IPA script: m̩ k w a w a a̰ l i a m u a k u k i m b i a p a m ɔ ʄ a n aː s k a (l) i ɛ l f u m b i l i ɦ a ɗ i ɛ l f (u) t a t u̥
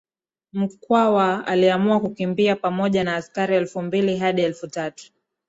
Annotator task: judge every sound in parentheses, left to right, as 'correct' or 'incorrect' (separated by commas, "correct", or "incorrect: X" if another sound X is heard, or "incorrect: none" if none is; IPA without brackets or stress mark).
incorrect: ɾ, correct